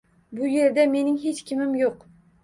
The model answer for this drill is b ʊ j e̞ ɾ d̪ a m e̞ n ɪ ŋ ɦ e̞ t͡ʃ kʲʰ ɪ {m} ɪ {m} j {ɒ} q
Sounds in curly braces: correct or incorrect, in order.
correct, correct, incorrect

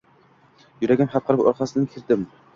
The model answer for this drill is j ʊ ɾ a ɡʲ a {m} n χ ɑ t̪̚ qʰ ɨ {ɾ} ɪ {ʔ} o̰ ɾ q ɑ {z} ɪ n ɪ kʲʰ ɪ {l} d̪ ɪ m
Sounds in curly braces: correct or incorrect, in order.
incorrect, correct, incorrect, incorrect, incorrect

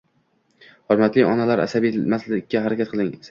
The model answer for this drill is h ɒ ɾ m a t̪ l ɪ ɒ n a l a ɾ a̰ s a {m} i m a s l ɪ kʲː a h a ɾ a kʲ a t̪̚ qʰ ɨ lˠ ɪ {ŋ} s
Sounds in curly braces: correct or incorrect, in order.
incorrect, correct

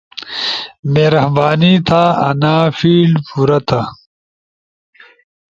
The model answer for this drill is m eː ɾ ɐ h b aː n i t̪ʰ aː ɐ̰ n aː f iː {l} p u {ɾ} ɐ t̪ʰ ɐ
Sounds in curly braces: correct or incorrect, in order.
correct, correct

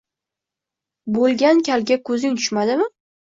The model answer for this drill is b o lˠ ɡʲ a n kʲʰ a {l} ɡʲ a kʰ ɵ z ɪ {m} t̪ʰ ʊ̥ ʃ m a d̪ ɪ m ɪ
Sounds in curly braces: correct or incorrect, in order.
correct, incorrect

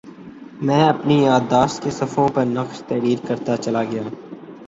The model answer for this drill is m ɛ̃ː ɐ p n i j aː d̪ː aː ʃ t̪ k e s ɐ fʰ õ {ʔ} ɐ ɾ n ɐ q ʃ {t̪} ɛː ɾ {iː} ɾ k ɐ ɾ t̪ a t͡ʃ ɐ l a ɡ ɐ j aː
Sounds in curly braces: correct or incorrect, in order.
incorrect, correct, correct

